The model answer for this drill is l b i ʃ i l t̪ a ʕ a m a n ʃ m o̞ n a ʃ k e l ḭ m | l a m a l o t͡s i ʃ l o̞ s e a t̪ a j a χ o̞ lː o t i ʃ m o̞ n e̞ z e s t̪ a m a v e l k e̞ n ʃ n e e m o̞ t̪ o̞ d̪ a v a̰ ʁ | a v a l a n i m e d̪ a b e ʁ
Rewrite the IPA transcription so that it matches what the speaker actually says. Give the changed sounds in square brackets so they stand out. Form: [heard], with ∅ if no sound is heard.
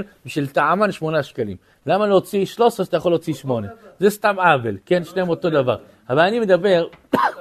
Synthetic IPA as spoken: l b i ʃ i l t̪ a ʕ a m a n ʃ m o̞ n a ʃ k [a] l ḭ m | l a m a l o t͡s i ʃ l o̞ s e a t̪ a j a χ o̞ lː o [t͡s] i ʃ m o̞ n e̞ z e s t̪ a m a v e l k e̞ n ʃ n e e m o̞ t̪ o̞ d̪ a v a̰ ʁ | a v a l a n i m e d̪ a b e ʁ